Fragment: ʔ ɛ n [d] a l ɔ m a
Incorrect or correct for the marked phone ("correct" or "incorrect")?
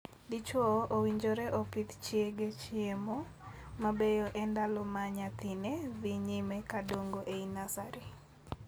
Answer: correct